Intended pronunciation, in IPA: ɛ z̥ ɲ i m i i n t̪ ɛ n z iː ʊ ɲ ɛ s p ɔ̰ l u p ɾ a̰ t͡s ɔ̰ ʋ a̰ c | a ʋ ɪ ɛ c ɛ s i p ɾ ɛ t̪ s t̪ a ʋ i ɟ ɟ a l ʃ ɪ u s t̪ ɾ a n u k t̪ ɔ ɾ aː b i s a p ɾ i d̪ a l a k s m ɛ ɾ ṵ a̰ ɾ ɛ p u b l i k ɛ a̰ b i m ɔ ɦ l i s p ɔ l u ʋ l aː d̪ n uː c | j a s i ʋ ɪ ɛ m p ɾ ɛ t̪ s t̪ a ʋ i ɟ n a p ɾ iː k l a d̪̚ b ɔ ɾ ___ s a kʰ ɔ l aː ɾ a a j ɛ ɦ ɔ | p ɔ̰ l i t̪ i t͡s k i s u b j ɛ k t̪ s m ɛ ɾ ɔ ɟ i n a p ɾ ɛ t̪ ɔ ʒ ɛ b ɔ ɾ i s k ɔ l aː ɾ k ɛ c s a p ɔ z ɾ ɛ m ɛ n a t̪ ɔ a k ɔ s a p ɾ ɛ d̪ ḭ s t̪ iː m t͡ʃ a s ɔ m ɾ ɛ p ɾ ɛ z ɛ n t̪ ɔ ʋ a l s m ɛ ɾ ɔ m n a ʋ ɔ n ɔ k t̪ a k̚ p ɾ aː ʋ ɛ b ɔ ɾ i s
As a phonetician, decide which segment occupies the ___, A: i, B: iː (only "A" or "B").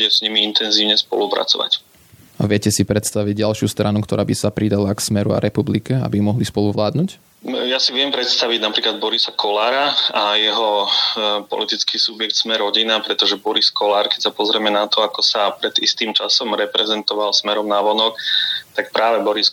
A